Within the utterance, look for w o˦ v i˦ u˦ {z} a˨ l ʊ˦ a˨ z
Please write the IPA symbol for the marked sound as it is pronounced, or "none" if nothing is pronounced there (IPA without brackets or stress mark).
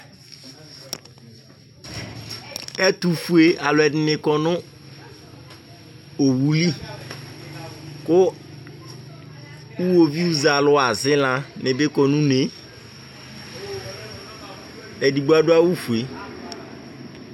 z